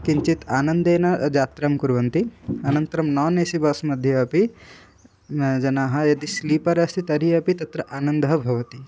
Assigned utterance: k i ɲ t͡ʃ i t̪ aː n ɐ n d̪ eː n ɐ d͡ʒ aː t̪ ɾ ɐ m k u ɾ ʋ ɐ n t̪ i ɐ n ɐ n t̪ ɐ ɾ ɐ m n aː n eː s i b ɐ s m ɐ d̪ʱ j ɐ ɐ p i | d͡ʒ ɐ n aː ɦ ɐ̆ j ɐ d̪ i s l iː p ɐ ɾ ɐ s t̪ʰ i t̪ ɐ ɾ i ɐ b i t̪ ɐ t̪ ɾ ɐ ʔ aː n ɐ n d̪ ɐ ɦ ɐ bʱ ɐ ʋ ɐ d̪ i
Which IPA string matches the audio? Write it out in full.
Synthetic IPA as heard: k i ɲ t͡ʃ i t̪ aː n ɐ n d̪ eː n ɐ d͡ʒ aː t̪ ɾ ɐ m k u ɾ ʋ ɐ n t̪ i ɐ n ɐ n t̪ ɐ ɾ ɐ m n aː n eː s i b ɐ s m ɐ d̪ʱ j ɐ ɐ p i | d͡ʒ ɐ n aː ɦ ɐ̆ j ɐ d̪ i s l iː p ɐ ɾ ɐ s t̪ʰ i t̪ ɐ ɾ i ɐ p i t̪ ɐ t̪ ɾ ɐ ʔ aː n ɐ n d̪ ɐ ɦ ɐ bʱ ɐ ʋ ɐ t̪ i